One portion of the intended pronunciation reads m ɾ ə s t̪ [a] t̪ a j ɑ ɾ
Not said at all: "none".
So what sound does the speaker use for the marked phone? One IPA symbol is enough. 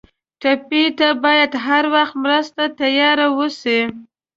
a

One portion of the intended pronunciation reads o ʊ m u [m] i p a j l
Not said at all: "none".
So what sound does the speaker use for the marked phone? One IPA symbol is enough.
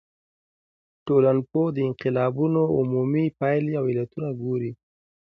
m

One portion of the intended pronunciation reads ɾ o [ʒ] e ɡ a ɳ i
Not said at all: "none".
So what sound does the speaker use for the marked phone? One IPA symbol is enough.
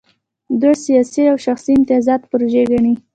ʒ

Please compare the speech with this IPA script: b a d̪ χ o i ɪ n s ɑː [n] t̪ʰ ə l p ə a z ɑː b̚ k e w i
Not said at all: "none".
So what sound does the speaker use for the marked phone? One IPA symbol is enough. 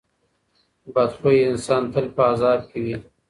n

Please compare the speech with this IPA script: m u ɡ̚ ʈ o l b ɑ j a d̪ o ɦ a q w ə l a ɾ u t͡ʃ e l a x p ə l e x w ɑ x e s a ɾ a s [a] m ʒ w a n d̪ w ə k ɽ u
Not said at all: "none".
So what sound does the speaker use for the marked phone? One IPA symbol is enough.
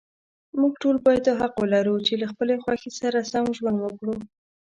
a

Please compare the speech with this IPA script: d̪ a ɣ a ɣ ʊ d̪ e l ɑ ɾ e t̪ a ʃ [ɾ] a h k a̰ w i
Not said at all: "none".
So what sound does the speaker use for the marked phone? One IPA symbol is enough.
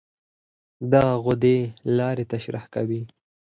ɾ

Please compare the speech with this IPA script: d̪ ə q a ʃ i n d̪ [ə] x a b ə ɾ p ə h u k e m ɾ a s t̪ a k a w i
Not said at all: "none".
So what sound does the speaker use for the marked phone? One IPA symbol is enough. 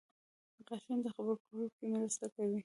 ə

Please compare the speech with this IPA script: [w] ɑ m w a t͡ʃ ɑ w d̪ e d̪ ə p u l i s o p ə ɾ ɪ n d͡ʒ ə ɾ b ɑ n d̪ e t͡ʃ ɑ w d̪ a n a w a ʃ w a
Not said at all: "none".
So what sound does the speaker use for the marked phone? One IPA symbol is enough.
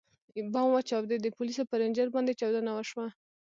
b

